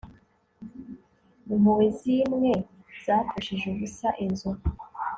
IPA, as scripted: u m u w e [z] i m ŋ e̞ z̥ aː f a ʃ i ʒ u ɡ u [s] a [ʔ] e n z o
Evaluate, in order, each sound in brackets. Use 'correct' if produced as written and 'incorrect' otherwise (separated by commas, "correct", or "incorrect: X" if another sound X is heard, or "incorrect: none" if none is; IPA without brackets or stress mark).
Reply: correct, correct, correct